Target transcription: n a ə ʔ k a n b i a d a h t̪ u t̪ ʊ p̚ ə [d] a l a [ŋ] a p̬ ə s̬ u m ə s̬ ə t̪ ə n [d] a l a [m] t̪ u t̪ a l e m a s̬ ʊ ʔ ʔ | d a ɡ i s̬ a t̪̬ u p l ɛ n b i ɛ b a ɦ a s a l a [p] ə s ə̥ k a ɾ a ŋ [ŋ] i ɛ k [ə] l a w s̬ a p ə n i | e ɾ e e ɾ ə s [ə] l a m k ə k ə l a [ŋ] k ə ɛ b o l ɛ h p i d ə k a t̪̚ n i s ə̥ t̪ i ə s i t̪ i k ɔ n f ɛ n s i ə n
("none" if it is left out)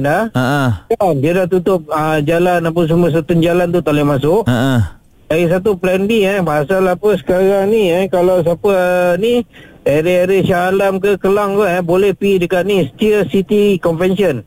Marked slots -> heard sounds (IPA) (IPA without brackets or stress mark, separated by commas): d͡ʒ, n, d͡ʒ, n, p, n, a, a, ŋ